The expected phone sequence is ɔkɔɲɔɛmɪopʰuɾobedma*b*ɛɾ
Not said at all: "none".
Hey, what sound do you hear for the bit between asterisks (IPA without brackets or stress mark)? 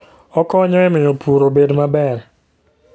b